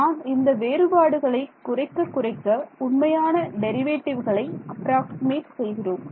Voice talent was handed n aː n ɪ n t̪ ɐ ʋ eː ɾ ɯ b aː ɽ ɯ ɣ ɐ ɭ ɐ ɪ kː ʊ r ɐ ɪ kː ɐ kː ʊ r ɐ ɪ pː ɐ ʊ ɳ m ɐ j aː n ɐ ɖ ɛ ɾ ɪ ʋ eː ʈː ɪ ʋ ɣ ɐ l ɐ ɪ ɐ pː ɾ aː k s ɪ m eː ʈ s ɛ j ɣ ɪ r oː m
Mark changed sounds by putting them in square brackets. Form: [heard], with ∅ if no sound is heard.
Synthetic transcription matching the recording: n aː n ɪ n [d̪] ɐ ʋ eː ɾ ɯ b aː ɽ ɯ ɣ ɐ ɭ ɐ ɪ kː ʊ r ɐ ɪ kː ɐ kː ʊ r ɐ ɪ [kː] ɐ ʊ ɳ m ɐ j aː n ɐ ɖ ɛ ɾ ɪ ʋ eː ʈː ɪ ʋ ɣ ɐ [ɭ] ɐ ɪ ɐ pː ɾ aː k s ɪ m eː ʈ s ɛ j ɣ ɪ r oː m